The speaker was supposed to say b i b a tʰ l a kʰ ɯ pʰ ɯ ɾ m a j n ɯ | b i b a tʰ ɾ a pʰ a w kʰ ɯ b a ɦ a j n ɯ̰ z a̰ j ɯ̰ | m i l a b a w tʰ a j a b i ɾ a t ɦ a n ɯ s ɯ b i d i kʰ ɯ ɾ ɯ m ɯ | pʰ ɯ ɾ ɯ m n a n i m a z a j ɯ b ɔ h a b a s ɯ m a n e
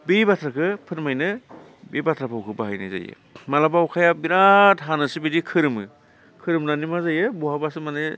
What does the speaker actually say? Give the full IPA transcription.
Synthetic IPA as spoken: b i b a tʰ ɾ a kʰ ɯ pʰ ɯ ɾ m a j n ɯ | b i b a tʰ ɾ a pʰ a w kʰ ɯ b a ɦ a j n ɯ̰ z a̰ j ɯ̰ | m a l a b a w kʰ a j a b i ɾ a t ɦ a n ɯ s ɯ b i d i kʰ ɯ ɾ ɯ m ɯ | kʰ ɯ ɾ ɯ m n a n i m a z a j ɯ b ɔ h a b a s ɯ m a n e